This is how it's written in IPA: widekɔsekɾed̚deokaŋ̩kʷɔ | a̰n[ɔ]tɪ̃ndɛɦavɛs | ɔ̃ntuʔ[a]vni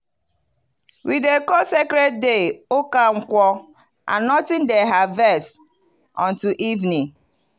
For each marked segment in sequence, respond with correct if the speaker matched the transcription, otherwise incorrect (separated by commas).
correct, incorrect